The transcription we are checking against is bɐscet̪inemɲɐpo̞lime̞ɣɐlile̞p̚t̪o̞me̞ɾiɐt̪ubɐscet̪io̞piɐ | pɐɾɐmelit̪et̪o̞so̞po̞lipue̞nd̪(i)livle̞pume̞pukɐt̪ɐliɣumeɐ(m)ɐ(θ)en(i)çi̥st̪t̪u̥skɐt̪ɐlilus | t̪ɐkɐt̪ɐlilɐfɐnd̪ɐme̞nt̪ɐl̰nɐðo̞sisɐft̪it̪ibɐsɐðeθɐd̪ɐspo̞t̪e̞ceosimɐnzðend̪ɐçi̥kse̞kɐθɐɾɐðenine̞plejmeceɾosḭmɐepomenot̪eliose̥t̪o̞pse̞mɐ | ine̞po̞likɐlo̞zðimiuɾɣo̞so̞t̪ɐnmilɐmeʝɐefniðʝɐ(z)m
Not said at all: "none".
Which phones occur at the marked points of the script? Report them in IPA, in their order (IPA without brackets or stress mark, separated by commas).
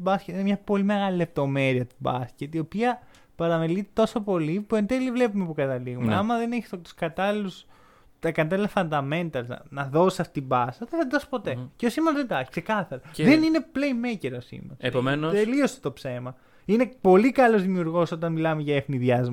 e, m, ð, e, z